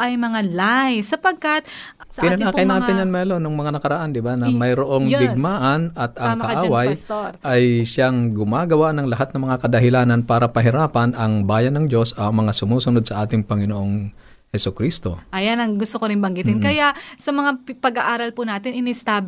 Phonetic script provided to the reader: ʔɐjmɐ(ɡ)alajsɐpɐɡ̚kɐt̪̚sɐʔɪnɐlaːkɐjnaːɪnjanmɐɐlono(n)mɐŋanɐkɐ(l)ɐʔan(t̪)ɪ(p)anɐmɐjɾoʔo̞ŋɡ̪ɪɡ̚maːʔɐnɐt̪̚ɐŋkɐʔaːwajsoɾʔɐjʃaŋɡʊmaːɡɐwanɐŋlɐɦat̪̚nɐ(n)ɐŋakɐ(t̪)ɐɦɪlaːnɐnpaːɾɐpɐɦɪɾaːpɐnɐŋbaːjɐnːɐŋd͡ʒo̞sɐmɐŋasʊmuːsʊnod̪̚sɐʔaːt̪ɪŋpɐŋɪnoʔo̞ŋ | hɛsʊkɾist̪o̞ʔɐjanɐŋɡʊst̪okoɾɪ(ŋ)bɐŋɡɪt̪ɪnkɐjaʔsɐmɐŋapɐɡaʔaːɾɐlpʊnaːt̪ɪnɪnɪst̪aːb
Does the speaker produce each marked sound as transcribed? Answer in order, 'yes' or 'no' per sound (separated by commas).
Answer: no, no, no, no, no, no, no, no